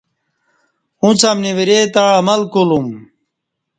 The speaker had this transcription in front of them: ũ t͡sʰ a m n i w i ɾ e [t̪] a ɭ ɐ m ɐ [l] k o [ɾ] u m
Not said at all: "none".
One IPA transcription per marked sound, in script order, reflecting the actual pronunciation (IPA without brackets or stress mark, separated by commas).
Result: t̪, l, l